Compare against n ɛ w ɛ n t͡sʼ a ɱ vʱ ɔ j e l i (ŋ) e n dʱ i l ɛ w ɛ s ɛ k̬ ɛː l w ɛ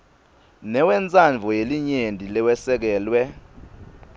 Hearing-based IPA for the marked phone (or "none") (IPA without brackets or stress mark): ɲ